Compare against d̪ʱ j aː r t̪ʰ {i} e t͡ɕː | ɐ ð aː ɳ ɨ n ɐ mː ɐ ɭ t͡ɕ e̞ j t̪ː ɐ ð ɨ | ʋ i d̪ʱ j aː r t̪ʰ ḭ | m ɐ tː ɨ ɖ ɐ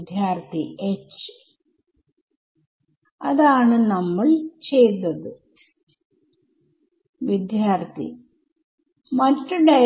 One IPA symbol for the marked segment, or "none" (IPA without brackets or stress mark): i